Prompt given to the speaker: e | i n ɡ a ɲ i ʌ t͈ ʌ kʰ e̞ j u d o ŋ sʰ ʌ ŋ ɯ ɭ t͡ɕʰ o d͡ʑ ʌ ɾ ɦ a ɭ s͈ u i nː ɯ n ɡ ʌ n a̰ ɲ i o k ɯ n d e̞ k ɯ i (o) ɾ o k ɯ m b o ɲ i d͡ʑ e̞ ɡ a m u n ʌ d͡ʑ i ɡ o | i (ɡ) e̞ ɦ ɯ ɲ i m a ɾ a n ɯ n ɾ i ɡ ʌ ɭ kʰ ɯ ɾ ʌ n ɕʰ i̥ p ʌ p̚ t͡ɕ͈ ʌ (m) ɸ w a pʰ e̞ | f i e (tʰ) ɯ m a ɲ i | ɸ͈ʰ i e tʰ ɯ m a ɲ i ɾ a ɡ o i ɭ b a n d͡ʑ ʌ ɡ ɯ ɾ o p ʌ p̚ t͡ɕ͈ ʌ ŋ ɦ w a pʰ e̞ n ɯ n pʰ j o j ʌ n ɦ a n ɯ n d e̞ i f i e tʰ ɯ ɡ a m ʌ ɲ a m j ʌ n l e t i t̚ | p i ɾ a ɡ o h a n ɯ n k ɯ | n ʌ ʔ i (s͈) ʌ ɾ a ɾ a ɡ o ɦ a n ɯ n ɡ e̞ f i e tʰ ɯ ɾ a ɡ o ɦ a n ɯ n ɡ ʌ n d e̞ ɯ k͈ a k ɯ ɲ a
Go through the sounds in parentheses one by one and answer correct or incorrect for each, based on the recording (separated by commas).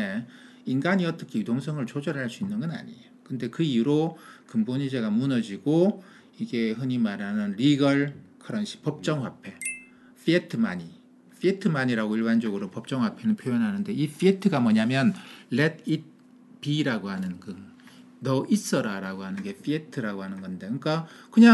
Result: incorrect, correct, incorrect, correct, correct